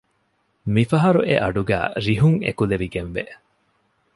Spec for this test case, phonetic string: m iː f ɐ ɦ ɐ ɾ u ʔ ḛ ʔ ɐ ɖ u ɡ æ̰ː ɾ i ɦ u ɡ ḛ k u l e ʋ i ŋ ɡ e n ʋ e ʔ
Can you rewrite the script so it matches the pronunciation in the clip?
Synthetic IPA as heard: m i f ɐ ɦ ɐ ɾ u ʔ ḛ ʔ ɐ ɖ u ɡ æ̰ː ɾ i ɦ u ŋ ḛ k u l e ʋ i ɡ e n ʋ e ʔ